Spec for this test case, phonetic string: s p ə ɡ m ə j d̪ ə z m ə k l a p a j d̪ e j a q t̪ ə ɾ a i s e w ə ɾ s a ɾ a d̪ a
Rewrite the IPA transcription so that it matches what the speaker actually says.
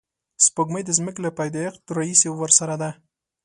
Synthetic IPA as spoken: s p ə ɡ m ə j d̪ ə z m ə k l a p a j d̪ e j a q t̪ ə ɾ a i s e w ə ɾ s a ɾ a d̪ a